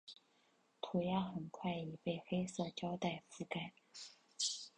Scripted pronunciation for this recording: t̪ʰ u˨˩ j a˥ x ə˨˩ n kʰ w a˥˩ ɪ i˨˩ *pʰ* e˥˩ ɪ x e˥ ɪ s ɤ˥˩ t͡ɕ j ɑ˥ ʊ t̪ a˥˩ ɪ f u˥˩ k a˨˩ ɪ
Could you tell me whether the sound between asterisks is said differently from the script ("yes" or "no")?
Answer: yes